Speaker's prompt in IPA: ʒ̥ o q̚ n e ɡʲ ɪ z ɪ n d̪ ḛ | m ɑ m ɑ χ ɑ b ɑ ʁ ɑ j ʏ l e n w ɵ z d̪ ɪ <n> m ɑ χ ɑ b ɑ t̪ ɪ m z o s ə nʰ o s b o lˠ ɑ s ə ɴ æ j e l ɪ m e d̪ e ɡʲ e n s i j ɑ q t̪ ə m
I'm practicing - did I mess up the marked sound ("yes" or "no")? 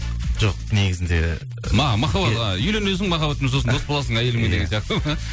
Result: yes